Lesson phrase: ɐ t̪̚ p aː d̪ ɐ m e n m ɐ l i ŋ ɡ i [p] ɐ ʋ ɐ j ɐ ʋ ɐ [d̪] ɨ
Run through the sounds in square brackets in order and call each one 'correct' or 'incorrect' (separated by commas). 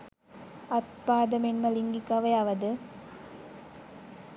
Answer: incorrect, correct